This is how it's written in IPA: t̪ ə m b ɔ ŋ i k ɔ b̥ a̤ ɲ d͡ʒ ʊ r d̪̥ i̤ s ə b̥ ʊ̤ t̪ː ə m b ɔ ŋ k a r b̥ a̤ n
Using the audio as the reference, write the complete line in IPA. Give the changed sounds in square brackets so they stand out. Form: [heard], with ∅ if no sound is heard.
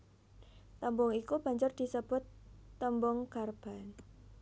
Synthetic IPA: t̪ ə m b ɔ ŋ i k [u] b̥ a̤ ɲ d͡ʒ ʊ r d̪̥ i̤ s ə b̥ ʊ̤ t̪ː ə m b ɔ ŋ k a r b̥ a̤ n